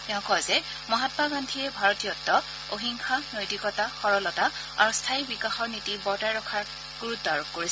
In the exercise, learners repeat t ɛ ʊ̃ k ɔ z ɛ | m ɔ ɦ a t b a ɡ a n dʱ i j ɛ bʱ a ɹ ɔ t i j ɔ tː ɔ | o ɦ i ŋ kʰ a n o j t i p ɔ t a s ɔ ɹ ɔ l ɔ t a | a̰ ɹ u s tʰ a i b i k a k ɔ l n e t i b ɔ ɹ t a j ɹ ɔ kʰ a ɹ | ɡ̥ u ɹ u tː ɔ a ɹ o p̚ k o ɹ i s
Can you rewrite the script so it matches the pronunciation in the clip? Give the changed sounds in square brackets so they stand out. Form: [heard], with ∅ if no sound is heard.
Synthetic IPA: t ɛ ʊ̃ k ɔ z ɛ | m ɔ ɦ a t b a ɡ a n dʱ i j ɛ bʱ a ɹ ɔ t i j ɔ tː ɔ | o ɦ i ŋ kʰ a n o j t i [k] ɔ t a [x] ɔ ɹ ɔ l ɔ t a | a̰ ɹ u s tʰ a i b i k a [x] ɔ [ɹ] n [i] t i b ɔ ɹ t a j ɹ ɔ kʰ a ɹ | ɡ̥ u ɹ u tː ɔ a ɹ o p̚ k o ɹ i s